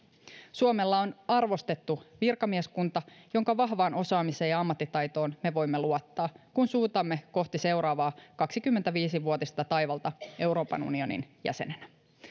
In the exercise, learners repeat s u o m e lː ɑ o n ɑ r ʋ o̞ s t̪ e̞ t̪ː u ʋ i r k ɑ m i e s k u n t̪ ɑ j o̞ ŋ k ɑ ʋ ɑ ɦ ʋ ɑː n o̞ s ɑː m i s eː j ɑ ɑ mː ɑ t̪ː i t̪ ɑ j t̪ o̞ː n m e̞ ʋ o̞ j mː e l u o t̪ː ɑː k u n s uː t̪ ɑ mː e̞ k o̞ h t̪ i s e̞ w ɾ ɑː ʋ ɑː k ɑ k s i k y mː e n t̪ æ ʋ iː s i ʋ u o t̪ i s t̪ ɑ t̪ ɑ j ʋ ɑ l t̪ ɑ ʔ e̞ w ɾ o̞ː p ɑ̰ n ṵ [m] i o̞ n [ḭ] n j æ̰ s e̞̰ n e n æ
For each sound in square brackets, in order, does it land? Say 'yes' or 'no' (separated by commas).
no, yes